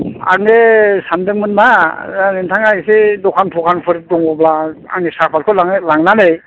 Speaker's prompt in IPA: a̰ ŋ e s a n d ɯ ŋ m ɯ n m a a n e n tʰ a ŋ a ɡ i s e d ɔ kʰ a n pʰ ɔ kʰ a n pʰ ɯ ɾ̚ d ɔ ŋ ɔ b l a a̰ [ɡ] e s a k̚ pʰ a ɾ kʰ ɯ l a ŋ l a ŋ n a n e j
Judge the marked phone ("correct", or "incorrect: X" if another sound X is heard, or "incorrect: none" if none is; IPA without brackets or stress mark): incorrect: ŋ